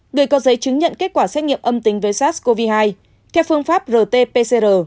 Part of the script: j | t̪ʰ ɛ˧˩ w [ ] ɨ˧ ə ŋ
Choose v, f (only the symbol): f